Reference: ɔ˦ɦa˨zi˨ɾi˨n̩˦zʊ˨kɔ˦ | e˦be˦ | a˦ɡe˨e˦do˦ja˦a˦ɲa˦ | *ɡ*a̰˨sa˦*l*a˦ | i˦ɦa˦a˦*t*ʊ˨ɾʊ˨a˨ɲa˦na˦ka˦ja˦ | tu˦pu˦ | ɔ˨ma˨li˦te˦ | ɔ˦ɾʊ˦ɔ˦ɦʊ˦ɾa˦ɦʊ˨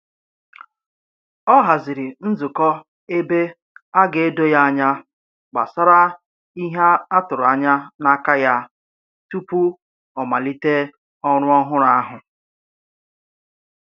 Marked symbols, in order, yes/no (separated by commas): no, no, yes